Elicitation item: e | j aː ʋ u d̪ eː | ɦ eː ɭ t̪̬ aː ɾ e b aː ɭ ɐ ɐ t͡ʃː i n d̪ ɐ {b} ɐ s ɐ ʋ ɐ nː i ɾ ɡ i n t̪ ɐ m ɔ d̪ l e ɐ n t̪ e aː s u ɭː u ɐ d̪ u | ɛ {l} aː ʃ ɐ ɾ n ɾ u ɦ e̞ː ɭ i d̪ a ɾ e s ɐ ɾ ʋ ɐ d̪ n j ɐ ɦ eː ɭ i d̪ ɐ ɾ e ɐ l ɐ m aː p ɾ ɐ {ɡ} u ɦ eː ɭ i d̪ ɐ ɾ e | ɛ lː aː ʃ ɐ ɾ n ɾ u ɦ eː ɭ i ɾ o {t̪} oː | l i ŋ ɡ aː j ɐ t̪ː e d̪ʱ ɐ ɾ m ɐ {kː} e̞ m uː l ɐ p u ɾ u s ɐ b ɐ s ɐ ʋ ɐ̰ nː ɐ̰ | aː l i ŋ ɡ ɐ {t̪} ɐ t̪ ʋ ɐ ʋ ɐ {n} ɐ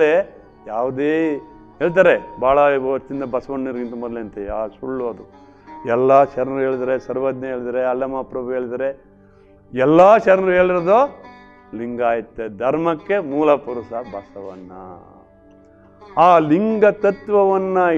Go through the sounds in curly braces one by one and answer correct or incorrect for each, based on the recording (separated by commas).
correct, incorrect, incorrect, incorrect, correct, correct, incorrect